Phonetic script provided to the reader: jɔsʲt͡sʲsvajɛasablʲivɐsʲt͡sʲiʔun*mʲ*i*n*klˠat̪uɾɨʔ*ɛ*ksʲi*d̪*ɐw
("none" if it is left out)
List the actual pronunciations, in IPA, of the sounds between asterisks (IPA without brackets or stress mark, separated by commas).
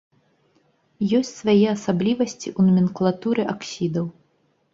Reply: mʲ, n, a, d̪